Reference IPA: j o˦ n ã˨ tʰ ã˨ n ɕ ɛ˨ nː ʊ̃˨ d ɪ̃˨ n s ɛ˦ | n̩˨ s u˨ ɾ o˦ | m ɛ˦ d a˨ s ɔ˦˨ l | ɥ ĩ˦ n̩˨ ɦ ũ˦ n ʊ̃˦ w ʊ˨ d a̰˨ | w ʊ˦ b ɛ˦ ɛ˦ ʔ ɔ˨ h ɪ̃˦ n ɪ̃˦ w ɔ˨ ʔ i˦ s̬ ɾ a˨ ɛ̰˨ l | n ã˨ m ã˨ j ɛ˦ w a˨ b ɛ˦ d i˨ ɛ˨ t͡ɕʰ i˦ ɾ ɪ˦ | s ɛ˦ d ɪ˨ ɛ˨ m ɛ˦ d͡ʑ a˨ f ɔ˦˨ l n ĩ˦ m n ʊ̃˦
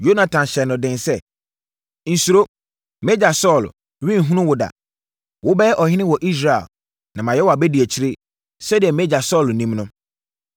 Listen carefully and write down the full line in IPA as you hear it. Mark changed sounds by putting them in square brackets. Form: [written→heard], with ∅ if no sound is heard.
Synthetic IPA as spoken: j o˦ n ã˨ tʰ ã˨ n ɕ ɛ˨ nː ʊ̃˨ d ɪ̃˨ n s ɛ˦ | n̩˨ s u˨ ɾ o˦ | m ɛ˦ [d→d͡ʑ] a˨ s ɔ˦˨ l | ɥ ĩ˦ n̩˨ ɦ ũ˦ n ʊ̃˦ w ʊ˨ d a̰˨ | w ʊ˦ b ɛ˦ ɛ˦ ʔ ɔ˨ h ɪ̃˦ n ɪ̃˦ w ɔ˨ ʔ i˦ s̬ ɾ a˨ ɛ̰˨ l | n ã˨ m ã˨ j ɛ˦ w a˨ b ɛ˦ d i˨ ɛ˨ t͡ɕʰ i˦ ɾ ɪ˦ | s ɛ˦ d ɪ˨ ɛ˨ m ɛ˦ d͡ʑ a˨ [f→s] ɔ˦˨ l n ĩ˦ m n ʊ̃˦

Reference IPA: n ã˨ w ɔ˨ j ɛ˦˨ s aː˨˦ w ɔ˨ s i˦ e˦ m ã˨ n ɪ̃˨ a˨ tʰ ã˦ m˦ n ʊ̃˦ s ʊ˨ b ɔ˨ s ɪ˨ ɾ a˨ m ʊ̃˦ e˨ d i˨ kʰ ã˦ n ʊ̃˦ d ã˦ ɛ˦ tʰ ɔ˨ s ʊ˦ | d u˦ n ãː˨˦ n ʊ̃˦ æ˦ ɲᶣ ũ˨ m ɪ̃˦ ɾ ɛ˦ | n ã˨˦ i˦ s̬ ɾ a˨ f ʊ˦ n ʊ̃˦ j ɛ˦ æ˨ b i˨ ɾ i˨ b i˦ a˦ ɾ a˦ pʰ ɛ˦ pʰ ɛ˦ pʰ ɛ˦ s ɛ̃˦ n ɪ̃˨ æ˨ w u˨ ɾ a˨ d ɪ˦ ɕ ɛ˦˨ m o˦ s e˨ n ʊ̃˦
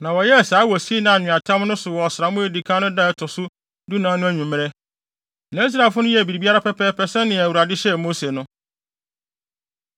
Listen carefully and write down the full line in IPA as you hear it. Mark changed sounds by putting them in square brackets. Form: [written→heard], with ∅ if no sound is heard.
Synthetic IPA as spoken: n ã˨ w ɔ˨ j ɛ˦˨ s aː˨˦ w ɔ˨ s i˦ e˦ [m→n] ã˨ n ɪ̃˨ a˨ tʰ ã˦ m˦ n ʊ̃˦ s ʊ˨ [b→w] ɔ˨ s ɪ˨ ɾ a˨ m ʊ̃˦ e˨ d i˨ kʰ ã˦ n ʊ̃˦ d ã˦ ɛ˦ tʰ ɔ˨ s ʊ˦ | d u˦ n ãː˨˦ n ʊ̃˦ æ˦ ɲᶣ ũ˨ m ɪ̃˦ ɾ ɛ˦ | n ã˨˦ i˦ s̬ ɾ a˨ f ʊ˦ n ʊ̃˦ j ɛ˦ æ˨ b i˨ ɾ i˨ b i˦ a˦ ɾ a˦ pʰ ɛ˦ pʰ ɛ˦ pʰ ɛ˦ s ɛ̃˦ n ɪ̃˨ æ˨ w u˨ ɾ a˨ d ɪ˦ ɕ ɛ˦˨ m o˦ s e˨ n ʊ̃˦

